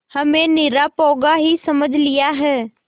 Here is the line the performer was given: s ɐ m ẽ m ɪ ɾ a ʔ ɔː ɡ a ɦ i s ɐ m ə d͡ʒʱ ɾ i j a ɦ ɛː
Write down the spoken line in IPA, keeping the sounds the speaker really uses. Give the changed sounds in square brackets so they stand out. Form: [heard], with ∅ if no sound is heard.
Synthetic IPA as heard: [h] ɐ m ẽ [n] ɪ ɾ a [p] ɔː ɡ a ɦ i s ɐ m ə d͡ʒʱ [l] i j a ɦ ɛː